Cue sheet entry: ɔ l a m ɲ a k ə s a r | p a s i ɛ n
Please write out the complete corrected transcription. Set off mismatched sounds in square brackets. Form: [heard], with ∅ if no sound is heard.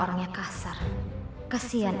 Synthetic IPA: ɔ [ɾ] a [ŋ] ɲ a k [a] s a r | [k] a s i [a] n